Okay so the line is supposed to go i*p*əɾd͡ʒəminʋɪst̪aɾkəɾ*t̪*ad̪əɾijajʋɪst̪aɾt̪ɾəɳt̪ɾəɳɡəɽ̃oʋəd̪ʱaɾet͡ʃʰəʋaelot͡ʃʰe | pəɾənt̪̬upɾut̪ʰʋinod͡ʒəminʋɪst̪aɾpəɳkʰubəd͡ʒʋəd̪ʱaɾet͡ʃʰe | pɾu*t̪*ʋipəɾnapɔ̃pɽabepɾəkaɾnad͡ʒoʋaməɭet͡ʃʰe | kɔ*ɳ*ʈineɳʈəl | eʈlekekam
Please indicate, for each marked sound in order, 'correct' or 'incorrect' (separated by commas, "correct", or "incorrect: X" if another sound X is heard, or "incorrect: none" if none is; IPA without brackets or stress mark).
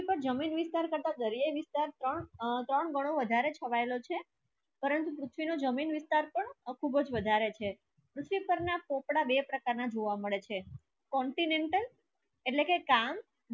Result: correct, correct, incorrect: t̪ʰ, correct